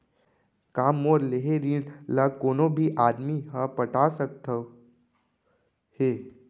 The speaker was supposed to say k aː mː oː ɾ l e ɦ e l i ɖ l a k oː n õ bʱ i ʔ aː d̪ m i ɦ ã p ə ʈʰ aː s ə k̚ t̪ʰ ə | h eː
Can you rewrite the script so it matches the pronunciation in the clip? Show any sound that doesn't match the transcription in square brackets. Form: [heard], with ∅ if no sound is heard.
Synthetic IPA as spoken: k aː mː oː ɾ l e ɦ e [ɾ] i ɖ l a k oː n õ bʱ i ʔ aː d̪ m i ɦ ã p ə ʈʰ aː s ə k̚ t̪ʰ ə | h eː